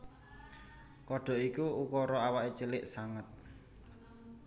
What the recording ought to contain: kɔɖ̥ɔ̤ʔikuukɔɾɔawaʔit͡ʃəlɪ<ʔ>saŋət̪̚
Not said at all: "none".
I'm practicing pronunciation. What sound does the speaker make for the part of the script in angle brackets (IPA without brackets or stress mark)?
ʔ